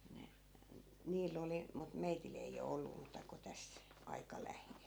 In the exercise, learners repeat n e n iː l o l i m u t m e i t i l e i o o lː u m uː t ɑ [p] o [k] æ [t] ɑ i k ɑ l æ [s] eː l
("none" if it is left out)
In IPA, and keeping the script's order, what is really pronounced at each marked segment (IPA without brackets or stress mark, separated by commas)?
k, t, s, h